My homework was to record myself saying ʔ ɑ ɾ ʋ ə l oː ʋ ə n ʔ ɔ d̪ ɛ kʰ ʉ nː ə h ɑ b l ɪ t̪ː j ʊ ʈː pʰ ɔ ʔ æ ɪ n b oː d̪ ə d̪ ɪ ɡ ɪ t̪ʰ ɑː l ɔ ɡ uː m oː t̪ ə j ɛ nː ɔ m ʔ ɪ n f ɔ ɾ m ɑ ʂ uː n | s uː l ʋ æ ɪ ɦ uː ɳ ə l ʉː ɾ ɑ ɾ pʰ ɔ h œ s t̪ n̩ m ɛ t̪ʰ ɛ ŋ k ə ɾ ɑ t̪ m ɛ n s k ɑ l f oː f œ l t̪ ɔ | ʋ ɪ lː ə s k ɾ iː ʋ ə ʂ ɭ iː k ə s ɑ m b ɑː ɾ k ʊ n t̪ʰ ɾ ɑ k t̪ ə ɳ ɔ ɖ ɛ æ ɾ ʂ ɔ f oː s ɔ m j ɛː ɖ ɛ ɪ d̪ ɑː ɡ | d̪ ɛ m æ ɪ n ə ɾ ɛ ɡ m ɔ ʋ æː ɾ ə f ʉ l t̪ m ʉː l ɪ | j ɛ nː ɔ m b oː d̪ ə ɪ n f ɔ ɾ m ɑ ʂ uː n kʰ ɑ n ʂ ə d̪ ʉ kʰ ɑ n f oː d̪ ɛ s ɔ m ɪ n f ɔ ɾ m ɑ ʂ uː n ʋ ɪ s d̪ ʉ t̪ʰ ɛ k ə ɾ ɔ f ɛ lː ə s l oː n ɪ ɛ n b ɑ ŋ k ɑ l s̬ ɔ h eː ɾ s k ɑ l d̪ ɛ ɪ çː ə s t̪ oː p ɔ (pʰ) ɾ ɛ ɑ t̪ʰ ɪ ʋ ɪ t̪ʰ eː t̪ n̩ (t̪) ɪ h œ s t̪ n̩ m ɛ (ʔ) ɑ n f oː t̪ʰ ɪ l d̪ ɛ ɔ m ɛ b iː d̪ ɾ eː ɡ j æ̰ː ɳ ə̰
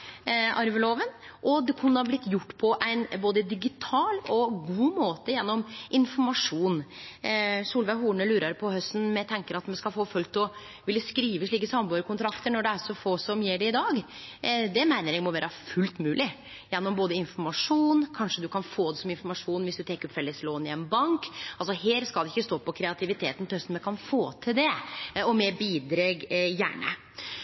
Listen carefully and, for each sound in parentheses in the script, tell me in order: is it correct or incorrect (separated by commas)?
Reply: incorrect, correct, incorrect